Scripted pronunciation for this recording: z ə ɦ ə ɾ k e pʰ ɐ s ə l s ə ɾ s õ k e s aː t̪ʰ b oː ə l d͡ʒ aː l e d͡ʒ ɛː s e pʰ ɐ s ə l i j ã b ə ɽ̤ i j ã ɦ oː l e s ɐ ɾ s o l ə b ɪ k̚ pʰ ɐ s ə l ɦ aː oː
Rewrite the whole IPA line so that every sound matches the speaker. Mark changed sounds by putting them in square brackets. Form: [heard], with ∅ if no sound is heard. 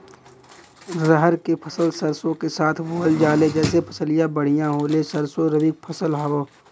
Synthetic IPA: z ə ɦ ə ɾ k e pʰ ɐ s ə l s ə ɾ s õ k e s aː t̪ʰ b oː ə l d͡ʒ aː l e d͡ʒ ɛː s e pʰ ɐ s ə l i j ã b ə ɽ̤ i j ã ɦ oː l e s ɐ ɾ s o [ɾ] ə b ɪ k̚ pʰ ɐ s ə l ɦ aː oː